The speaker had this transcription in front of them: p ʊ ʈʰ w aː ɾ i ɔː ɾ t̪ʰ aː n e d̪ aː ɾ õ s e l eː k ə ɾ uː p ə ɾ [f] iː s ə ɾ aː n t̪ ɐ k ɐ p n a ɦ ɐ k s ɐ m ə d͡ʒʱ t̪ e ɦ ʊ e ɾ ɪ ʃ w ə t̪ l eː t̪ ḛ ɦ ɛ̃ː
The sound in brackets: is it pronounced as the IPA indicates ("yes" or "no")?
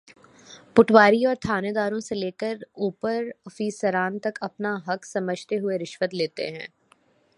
yes